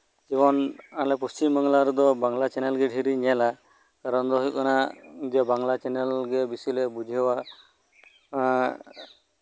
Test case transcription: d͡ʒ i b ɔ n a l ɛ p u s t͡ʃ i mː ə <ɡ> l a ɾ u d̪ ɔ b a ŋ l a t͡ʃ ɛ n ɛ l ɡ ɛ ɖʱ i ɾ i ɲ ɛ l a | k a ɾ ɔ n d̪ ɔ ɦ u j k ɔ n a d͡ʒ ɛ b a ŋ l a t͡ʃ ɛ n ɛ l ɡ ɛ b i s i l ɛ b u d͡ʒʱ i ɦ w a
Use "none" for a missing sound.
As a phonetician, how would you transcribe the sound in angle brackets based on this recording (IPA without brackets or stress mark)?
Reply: ŋ